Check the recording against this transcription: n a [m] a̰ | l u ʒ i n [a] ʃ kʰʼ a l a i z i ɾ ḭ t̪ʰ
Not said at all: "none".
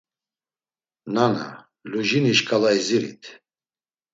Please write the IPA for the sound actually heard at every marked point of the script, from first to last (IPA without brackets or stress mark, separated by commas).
n, i